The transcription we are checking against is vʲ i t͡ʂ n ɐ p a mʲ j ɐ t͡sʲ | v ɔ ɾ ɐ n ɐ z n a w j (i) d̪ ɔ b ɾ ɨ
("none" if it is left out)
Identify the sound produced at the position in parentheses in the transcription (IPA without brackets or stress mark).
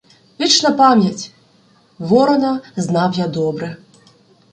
a